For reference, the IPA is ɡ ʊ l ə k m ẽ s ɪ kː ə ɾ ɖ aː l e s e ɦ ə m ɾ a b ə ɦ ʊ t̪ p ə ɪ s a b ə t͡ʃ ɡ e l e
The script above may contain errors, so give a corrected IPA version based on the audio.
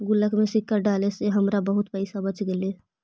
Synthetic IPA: ɡ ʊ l ə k m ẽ s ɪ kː ə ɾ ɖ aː l e s e ɦ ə m ɾ a b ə ɦ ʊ t̪ p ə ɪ s a b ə t͡ʃ ɡ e l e